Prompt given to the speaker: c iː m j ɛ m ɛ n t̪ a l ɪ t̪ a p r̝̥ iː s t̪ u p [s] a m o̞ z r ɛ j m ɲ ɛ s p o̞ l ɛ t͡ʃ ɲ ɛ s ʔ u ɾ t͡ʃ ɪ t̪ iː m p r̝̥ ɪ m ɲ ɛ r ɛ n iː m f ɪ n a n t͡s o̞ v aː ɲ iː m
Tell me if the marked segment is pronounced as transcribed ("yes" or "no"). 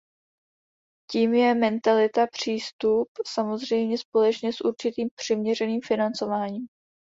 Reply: yes